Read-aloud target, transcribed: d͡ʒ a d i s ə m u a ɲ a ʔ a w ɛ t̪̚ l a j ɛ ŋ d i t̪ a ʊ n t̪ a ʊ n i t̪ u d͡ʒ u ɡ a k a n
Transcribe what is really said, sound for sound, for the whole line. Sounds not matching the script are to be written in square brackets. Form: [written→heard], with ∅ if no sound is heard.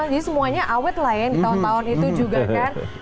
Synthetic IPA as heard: d͡ʒ a d i s ə m u a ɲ a ʔ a w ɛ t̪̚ l a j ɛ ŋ d i t̪ a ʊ n t̪ a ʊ n i t̪ u d͡ʒ u ɡ a k a n

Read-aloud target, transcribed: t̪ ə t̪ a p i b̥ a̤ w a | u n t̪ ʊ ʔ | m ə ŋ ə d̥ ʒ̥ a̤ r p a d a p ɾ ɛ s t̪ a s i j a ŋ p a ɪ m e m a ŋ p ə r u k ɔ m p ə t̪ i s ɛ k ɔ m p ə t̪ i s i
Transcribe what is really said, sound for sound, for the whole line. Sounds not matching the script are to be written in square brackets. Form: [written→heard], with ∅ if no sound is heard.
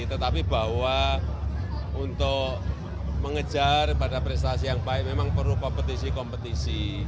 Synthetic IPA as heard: t̪ ə t̪ a p i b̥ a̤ w a | u n t̪ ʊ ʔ | m ə ŋ ə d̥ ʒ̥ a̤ r p a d a p ɾ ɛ s t̪ a s i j a ŋ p a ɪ m e m a ŋ p ə r u k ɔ m p ə t̪ i s [ɛ→i] k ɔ m p ə t̪ i s i

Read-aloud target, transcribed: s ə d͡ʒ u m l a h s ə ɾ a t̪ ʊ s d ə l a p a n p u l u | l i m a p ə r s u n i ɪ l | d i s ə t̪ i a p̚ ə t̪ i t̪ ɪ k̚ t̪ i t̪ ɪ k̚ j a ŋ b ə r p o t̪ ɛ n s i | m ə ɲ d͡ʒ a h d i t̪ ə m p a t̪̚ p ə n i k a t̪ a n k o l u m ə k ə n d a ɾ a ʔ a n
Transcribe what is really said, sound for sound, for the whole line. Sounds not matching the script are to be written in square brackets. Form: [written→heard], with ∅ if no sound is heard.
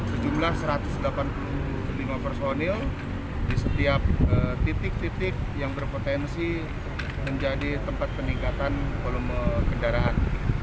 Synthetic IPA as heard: s ə d͡ʒ u m l a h s ə ɾ a t̪ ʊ s d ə l a p a n p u l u | l i m a p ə r s [u→o] n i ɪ l | d i s ə t̪ i a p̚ ə t̪ i t̪ ɪ k̚ t̪ i t̪ ɪ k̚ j a ŋ b ə r p o t̪ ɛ n s i | m ə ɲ d͡ʒ a [h→∅] d i t̪ ə m p a t̪̚ p ə n i k a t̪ a n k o l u m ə k ə n d a ɾ a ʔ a n

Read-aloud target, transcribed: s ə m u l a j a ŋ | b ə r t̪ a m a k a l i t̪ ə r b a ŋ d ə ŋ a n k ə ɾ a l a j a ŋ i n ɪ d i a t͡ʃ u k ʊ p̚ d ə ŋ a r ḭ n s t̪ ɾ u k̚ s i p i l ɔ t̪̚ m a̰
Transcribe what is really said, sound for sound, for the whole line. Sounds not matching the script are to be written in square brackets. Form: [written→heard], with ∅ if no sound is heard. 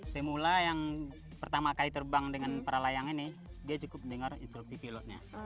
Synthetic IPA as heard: s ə m u l a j a ŋ | [b→p] ə r t̪ a m a k a l i t̪ ə r b a ŋ d ə ŋ a n [k→p] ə ɾ a l a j a ŋ i n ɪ d i a t͡ʃ u k ʊ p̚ d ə ŋ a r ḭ n s t̪ ɾ u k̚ s i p i l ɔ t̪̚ [m→ɲ] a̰

